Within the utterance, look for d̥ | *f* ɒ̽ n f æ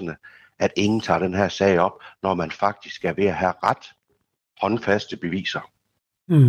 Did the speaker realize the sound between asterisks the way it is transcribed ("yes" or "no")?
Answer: no